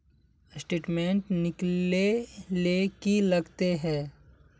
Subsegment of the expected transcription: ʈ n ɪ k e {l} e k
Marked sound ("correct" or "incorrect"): correct